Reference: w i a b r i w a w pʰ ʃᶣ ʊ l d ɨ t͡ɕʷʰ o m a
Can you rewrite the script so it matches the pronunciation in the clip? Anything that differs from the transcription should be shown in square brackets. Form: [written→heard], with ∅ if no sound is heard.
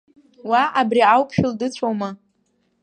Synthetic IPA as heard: w [i→a] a b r i [w→∅] a w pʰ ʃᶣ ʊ l d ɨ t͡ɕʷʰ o m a